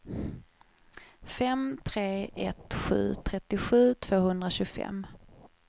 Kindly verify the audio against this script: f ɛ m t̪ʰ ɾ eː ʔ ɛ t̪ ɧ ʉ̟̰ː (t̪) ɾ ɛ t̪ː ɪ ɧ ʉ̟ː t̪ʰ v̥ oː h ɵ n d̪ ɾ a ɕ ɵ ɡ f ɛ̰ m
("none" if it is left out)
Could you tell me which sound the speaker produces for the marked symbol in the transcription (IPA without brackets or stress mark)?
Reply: t̪ʰ